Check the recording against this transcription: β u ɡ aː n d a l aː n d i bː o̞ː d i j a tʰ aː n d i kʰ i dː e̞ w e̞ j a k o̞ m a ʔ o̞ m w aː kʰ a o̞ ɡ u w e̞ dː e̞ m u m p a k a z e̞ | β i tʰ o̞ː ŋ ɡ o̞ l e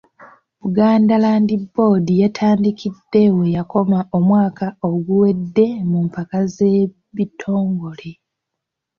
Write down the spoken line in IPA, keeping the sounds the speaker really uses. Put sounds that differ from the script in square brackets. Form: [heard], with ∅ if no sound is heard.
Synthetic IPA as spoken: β u ɡ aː n d a l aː n d i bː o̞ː d i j a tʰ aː n d i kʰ i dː e̞ w e̞ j a k o̞ m a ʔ o̞ m w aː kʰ a o̞ ɡ u w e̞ dː e̞ m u m p a k a z e̞ | β i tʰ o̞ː ŋ ɡ o̞ l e